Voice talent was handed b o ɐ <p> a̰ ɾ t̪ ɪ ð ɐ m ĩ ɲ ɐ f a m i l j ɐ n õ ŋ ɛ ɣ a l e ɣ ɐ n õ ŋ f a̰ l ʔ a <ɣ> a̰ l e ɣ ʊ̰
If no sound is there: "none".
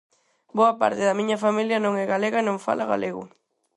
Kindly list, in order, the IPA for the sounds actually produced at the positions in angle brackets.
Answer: p, ɣ

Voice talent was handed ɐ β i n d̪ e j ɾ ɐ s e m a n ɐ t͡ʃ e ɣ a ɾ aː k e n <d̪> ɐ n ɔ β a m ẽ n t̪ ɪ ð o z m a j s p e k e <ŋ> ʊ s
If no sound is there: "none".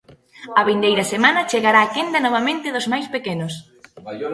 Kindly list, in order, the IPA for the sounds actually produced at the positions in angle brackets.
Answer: d̪, n

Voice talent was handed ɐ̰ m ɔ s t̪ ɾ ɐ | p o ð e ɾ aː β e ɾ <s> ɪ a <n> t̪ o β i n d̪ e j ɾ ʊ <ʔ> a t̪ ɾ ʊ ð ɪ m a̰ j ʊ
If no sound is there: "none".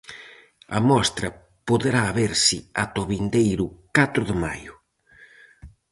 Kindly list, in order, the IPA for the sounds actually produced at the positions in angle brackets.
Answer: s, none, k

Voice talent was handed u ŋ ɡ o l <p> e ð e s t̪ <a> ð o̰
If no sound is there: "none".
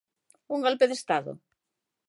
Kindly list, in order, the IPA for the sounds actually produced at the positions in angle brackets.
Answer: p, a

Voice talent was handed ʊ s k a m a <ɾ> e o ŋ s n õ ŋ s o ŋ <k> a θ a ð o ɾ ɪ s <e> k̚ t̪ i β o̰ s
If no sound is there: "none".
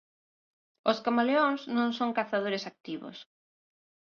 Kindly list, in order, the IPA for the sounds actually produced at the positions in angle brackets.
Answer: l, k, a

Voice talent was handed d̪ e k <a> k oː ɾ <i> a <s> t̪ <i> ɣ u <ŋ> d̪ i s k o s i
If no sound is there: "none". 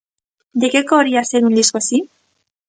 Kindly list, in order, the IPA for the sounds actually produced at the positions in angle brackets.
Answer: e, i, s, e, n

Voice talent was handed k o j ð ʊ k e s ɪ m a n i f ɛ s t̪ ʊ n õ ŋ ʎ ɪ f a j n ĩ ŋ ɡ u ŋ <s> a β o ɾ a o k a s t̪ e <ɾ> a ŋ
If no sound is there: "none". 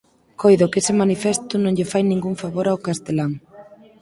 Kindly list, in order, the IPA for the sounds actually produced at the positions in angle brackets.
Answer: f, l

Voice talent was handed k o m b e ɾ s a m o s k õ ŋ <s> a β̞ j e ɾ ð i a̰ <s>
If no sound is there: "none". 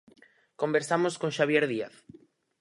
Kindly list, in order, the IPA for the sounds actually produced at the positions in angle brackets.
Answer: ʃ, θ

